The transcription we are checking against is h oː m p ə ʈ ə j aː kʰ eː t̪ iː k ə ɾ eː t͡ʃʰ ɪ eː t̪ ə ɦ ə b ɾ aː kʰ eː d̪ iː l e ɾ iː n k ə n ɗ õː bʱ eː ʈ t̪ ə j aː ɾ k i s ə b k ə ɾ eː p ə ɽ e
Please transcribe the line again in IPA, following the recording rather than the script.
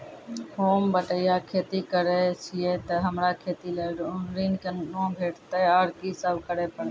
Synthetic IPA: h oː m b ə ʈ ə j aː kʰ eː t̪ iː k ə ɾ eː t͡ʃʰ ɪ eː t̪ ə ɦ ə m ɾ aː kʰ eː t̪ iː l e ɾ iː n k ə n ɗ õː bʱ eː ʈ t̪ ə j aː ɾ k i s ə b k ə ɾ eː p ə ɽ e